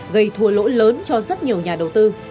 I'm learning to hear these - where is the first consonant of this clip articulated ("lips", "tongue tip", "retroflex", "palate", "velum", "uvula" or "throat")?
velum